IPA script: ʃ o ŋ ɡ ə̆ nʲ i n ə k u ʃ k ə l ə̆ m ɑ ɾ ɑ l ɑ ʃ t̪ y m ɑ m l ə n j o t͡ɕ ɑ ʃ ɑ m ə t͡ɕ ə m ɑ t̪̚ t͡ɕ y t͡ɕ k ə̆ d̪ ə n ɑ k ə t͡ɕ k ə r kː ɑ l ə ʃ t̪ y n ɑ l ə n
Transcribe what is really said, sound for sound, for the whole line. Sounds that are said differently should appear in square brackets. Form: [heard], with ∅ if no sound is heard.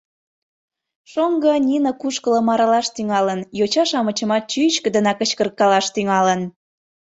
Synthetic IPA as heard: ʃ o ŋ ɡ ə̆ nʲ i n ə k u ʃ k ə l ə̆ m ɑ ɾ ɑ l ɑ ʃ t̪ y [ŋ] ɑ [∅] l ə n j o t͡ɕ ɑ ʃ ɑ m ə t͡ɕ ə m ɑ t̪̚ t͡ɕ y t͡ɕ k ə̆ d̪ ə n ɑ k ə t͡ɕ k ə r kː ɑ l [ɑ] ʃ t̪ y [ŋ] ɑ l ə n